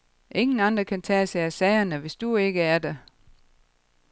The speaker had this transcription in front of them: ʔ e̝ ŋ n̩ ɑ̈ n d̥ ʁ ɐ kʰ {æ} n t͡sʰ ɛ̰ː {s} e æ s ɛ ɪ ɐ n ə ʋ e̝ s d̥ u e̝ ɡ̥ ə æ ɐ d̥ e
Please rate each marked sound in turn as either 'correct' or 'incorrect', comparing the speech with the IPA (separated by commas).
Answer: correct, correct